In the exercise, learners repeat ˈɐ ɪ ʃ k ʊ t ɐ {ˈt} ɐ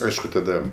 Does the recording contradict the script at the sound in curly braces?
yes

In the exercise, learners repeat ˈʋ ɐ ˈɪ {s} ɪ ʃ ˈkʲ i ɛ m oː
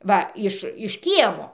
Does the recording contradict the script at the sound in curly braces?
yes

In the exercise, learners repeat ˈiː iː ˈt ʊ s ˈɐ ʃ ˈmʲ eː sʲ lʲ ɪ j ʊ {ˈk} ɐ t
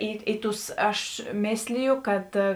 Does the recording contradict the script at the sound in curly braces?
no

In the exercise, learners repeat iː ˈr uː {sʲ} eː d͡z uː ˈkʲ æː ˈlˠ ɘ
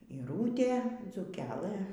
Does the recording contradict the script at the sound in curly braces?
yes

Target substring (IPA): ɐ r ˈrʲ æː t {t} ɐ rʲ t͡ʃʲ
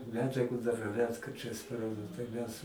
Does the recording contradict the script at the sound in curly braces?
yes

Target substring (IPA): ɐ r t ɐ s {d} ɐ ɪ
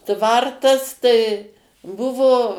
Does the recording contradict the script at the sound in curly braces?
yes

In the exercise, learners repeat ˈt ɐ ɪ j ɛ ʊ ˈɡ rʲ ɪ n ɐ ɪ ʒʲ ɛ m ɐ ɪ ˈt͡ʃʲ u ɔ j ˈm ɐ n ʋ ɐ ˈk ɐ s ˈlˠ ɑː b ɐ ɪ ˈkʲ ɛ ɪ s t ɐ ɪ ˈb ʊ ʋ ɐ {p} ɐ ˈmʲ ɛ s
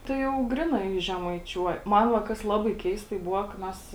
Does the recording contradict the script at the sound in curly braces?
yes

